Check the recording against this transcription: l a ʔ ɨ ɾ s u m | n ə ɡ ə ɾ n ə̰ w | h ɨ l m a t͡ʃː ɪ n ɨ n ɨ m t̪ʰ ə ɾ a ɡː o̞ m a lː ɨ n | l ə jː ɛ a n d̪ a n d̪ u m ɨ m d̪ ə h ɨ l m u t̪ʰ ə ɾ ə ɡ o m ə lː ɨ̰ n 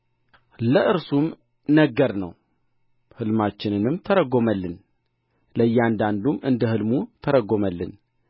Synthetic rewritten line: l ə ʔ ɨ ɾ s u m | n ə ɡ ə ɾ n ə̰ w | h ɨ l m a t͡ʃː ɪ n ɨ n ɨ m t̪ʰ ə ɾ ə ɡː o̞ m ə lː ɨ n | l ə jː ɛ a n d̪ a n d̪ u m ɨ n d̪ ə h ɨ l m u t̪ʰ ə ɾ ə ɡ o m ə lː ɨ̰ n